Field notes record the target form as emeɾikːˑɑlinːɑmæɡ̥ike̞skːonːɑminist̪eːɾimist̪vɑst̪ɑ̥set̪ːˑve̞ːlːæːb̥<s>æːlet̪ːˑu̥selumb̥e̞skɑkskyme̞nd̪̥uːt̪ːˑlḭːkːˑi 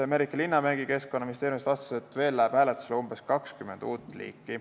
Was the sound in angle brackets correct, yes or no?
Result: no